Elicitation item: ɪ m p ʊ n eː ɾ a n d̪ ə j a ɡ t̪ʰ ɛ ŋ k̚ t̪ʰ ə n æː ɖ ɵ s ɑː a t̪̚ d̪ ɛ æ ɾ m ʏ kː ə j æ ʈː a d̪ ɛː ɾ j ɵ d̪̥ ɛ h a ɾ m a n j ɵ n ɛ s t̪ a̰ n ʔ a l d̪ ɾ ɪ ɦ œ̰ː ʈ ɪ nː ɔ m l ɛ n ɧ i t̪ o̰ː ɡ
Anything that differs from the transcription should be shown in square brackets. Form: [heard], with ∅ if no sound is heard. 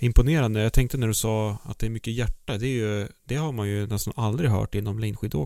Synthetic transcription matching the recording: ɪ m p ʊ n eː ɾ a n d̪ ə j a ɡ t̪ʰ ɛ ŋ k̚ [t̪] ə n [æ] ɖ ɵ s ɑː a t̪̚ d̪ ɛ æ ɾ m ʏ kː ə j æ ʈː a d̪ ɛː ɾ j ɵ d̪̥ ɛ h a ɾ m a n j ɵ n ɛ s t̪ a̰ n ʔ a l d̪ ɾ ɪ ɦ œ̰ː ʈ ɪ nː ɔ m l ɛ n ɧ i [d̪] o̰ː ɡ